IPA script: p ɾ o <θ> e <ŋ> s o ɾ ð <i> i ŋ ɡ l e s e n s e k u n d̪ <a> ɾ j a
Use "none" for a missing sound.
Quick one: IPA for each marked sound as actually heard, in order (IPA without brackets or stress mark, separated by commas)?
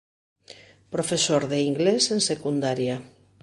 f, none, e, a